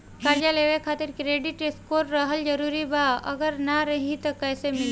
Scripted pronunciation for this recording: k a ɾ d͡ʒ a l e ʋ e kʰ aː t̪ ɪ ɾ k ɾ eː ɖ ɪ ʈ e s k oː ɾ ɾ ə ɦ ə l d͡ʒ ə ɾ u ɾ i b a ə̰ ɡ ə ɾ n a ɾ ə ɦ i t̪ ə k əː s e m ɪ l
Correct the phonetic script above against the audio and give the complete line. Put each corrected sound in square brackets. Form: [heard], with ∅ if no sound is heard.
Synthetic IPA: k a ɾ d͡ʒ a l e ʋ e kʰ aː t̪ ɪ ɾ k ɾ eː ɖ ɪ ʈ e s k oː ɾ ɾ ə ɦ ə l d͡ʒ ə ɾ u ɾ i b a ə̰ ɡ ə ɾ n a ɾ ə ɦ i t̪ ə k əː s e m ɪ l